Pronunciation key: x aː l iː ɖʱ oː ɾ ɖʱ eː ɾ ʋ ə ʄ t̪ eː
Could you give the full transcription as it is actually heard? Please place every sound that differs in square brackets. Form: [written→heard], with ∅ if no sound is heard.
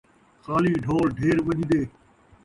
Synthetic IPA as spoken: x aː l iː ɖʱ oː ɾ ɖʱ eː ɾ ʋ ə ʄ [t̪→d̪] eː